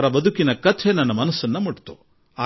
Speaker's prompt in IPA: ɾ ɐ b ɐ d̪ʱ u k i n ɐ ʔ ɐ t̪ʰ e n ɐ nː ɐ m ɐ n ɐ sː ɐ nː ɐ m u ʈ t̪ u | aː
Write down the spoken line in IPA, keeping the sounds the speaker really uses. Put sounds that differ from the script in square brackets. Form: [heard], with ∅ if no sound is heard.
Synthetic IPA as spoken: ɾ ɐ b ɐ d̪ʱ u k i n ɐ [k] ɐ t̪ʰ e n ɐ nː ɐ m ɐ n ɐ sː ɐ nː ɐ m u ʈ t̪ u | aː